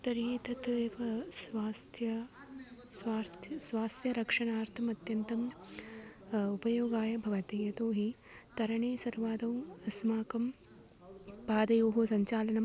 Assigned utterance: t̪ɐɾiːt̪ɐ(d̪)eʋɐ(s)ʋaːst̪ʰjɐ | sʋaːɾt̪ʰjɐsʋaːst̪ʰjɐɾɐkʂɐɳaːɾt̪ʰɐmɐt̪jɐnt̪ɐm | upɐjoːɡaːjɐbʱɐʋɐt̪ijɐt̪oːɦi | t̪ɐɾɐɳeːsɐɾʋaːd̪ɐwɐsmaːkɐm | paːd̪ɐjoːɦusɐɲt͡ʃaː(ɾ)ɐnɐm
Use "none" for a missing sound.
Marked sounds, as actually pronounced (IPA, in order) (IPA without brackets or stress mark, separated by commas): t̪, s, l